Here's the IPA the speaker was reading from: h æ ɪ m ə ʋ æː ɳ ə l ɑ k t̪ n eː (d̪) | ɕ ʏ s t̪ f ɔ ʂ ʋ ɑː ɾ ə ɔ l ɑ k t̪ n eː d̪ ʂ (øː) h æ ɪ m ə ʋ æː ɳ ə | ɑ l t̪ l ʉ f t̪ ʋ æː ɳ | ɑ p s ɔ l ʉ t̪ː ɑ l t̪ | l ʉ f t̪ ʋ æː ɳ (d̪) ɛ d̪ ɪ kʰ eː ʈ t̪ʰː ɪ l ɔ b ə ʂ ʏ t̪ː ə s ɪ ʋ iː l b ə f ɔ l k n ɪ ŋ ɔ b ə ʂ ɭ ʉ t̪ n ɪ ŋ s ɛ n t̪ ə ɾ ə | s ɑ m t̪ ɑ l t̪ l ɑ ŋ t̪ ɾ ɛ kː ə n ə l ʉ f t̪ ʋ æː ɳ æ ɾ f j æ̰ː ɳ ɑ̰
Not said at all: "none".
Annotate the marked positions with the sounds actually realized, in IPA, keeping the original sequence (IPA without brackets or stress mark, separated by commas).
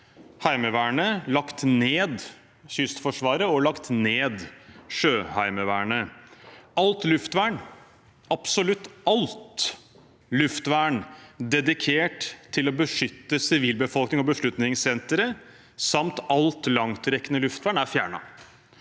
d̪, øː, d̪